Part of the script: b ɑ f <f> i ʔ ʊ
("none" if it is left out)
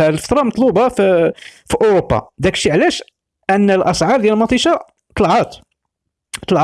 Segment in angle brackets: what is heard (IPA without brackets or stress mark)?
f